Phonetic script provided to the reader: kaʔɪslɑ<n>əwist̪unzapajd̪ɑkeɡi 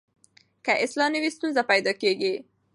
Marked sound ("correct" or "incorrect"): correct